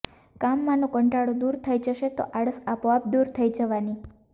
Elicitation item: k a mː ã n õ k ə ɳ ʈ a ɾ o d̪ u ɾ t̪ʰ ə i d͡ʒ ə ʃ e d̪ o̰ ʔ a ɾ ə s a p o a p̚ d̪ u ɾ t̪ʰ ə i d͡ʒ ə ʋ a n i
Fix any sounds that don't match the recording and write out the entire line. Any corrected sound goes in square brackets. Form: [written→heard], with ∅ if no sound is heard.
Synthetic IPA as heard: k a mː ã n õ k ə ɳ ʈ a [ɾ→ɽ] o d̪ u ɾ t̪ʰ ə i d͡ʒ ə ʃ e [d̪→t̪] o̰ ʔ a [ɾ→ɽ] ə s a p o a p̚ d̪ u ɾ t̪ʰ ə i d͡ʒ ə ʋ a n i

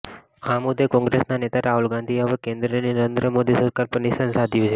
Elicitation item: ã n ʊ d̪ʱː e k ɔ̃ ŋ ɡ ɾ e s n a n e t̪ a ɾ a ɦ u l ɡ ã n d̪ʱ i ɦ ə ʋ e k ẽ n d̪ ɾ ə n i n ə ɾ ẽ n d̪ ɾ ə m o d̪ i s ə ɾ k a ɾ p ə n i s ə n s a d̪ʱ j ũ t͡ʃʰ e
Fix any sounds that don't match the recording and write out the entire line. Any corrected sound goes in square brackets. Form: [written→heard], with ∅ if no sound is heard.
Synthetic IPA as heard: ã [n→m] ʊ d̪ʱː e k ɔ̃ ŋ ɡ ɾ e s n a n e t̪ a ɾ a ɦ u l ɡ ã n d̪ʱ i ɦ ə ʋ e k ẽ n d̪ ɾ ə n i n ə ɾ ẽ n d̪ ɾ ə m o d̪ i s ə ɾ k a ɾ p ə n i s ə n s a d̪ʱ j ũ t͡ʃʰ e

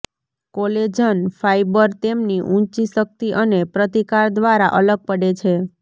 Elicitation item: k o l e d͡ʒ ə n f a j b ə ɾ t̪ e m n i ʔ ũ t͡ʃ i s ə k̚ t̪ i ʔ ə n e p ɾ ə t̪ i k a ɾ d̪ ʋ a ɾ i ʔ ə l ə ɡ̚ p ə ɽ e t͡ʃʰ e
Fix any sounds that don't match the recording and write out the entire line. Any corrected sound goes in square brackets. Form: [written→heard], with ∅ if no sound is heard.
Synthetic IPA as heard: k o l e d͡ʒ ə n f a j b ə ɾ t̪ e m n i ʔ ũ t͡ʃ i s ə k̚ t̪ i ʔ ə n e p ɾ ə t̪ i k a ɾ d̪ ʋ a ɾ [i→a] ʔ ə l ə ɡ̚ p ə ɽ e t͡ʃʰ e

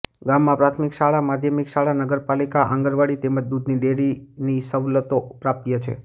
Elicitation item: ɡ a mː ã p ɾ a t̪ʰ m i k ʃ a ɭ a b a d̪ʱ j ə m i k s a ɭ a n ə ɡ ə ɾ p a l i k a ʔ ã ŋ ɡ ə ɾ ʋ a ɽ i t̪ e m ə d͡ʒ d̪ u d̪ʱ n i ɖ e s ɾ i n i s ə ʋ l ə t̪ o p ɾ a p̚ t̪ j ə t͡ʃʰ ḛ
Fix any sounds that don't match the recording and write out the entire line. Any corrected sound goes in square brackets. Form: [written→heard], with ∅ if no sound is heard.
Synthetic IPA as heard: ɡ a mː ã p ɾ a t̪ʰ m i k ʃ a ɭ a [b→m] a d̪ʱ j ə m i k [s→ʃ] a ɭ a n ə ɡ ə ɾ p a l i k a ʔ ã ŋ ɡ ə ɾ ʋ a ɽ i t̪ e m ə d͡ʒ d̪ u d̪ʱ n i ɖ e [s→∅] ɾ i n i s ə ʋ l ə t̪ o p ɾ a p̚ t̪ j ə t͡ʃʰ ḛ

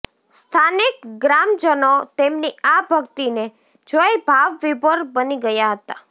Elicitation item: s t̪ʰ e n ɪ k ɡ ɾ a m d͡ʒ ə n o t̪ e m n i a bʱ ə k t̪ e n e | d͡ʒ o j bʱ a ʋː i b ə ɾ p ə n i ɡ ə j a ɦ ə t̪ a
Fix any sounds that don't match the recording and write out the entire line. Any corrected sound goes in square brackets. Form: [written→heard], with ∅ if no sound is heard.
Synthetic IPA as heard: s t̪ʰ [e→a] n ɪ k ɡ ɾ a m d͡ʒ ə n o t̪ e m n i a bʱ ə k t̪ [e→i] n e | d͡ʒ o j bʱ a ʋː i b ə ɾ [p→b] ə n i ɡ ə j a ɦ ə t̪ a

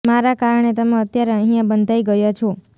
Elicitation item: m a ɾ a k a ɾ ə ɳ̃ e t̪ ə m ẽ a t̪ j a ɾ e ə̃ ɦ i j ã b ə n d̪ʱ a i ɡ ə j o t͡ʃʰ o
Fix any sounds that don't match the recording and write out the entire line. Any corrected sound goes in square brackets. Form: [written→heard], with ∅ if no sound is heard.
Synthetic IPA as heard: m a ɾ a k a ɾ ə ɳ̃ e t̪ ə m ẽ [a→ə] t̪ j a ɾ e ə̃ ɦ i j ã b ə n d̪ʱ a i ɡ ə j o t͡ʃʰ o

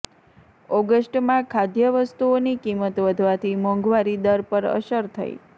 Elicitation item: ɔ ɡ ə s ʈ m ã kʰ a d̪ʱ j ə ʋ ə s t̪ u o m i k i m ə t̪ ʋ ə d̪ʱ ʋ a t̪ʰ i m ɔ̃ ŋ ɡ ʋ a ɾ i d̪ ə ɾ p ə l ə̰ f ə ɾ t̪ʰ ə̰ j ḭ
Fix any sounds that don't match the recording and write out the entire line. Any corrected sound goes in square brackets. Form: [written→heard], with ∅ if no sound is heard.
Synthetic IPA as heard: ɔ ɡ ə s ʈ m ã kʰ a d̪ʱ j ə ʋ ə s t̪ u o [m→n] i k i m ə t̪ ʋ ə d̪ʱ ʋ a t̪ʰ i m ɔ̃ ŋ ɡ ʋ a ɾ i d̪ ə ɾ p ə [l→ɾ] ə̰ [f→ʃ] ə ɾ t̪ʰ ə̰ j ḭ

